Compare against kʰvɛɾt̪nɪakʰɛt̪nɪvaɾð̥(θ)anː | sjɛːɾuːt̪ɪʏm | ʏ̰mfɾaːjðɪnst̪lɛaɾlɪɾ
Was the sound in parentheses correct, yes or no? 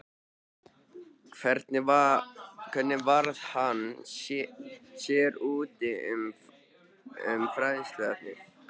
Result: no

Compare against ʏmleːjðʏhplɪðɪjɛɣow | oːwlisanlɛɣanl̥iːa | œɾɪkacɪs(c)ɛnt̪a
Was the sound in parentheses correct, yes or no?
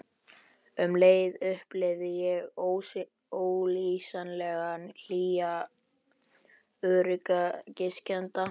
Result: yes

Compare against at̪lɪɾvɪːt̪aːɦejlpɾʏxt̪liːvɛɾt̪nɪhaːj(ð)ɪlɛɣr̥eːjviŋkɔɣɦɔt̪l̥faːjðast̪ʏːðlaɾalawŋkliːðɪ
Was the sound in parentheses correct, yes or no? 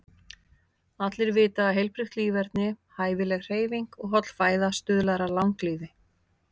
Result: no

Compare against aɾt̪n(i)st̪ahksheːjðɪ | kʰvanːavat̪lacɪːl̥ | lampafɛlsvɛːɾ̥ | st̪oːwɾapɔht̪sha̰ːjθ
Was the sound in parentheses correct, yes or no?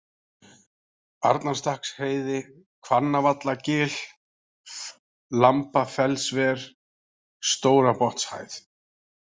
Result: no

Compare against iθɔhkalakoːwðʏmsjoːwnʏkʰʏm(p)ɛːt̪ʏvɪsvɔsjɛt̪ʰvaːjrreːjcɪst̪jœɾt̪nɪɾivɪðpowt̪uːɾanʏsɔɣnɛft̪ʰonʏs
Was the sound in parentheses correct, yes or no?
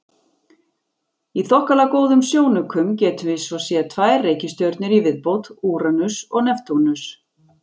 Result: no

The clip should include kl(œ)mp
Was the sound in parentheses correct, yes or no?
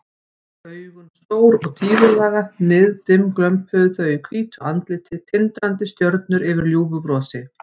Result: yes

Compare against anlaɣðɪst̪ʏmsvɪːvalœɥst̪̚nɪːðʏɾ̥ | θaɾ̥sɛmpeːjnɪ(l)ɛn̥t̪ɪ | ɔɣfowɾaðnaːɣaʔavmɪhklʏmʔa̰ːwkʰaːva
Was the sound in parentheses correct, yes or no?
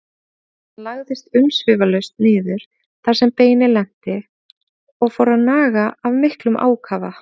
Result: yes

